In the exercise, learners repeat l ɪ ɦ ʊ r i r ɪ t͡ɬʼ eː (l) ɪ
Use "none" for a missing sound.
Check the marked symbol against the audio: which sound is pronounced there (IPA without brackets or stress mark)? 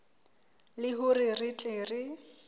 r